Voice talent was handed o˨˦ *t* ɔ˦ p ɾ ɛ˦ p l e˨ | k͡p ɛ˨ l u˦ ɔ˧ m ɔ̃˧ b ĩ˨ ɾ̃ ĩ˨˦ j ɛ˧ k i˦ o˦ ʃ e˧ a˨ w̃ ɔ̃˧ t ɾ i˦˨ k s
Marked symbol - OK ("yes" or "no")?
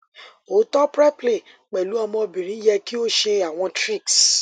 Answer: yes